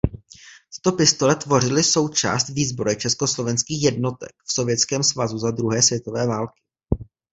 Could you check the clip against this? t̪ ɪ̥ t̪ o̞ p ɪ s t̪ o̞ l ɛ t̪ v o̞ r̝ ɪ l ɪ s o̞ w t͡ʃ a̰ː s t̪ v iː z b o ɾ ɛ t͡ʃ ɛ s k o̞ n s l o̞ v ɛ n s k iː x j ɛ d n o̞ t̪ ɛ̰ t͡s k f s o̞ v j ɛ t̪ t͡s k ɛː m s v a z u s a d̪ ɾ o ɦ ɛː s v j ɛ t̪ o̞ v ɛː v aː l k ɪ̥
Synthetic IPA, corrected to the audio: t̪ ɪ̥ t̪ o̞ p ɪ s t̪ o̞ l ɛ t̪ v o̞ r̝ ɪ l ɪ s o̞ w t͡ʃ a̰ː s t̪ v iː z b o ɾ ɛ t͡ʃ ɛ s k o̞ s l o̞ v ɛ n s k iː x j ɛ d n o̞ t̪ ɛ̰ k f s o̞ v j ɛ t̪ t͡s k ɛː m s v a z u z a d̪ ɾ u ɦ ɛː s v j ɛ t̪ o̞ v ɛː v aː l k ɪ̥